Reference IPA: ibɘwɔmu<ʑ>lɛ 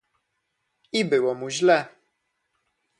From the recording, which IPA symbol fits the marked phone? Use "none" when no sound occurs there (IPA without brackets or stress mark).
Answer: ʑ